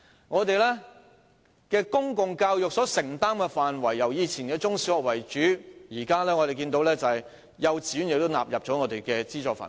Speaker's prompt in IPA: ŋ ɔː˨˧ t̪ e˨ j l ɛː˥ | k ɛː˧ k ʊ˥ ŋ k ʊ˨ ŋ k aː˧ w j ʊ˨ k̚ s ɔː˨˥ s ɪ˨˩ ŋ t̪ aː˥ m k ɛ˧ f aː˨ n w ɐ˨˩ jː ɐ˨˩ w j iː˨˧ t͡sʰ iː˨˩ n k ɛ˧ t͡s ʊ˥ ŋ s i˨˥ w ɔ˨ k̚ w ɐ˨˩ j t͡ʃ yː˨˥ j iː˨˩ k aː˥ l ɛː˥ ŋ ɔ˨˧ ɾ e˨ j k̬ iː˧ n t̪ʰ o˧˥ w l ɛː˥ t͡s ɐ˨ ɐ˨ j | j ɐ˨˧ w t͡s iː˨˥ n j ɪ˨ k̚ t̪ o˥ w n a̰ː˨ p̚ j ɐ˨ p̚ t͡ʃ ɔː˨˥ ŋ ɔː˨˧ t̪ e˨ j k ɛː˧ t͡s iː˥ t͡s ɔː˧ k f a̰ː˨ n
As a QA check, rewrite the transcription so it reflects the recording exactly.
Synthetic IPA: ŋ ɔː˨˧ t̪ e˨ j l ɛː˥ | k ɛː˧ k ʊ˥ ŋ k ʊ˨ ŋ k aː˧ w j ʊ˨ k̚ s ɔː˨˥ s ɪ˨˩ ŋ t̪ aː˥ m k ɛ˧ f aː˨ n w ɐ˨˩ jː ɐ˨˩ w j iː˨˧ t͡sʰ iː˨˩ n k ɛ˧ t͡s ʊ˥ ŋ s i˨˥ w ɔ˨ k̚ w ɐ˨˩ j t͡ʃ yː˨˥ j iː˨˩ k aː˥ l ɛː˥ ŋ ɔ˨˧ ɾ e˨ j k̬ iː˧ n t̪ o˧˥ w l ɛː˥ t͡s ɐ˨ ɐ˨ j | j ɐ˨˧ w t͡s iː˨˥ n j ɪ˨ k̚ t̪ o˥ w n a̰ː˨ p̚ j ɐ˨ p̚ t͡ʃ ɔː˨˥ ŋ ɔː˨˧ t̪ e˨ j k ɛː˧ t͡s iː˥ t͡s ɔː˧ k f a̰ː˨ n